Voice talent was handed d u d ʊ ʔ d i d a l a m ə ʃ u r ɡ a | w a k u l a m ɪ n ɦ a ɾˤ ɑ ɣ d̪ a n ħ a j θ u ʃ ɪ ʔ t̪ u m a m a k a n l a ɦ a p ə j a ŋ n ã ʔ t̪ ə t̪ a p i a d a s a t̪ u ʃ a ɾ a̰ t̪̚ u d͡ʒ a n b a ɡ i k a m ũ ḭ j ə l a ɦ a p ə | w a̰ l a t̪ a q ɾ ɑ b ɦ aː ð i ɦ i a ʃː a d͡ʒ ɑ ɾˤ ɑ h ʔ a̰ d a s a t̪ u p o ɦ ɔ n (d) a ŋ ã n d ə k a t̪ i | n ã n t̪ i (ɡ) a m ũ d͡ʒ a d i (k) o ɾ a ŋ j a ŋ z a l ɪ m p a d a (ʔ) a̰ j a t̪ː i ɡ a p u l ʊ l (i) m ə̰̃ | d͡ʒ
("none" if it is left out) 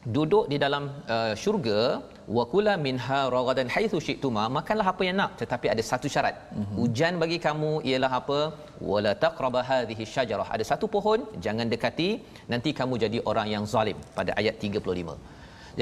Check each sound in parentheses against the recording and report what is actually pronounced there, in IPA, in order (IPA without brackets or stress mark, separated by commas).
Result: d͡ʒ, k, ʔ, ʔ, i